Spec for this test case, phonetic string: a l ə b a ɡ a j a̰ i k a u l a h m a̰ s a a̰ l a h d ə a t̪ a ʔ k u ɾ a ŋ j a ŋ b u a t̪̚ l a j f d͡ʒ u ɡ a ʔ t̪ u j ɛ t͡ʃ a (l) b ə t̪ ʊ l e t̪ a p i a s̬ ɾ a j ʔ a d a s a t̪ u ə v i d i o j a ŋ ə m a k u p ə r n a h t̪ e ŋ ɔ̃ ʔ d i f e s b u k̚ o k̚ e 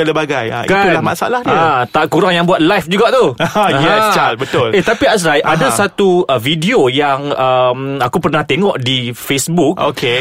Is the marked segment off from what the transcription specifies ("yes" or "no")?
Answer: no